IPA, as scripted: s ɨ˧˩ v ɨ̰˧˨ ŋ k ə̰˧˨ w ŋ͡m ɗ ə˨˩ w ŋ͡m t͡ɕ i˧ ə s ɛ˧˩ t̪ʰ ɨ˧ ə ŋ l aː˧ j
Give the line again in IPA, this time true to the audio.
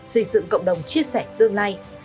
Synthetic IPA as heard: s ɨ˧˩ z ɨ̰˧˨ ŋ k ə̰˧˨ w ŋ͡m ɗ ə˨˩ w ŋ͡m t͡ɕ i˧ ə s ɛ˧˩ t̪ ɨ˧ ə ŋ l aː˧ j